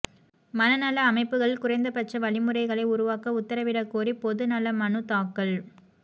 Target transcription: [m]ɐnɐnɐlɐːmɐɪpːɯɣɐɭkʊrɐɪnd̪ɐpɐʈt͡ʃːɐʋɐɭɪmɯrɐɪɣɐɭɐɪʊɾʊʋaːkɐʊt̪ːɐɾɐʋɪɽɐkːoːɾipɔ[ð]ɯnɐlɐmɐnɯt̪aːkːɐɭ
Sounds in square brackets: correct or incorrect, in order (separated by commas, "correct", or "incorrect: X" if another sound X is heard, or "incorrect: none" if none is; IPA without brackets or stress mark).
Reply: correct, correct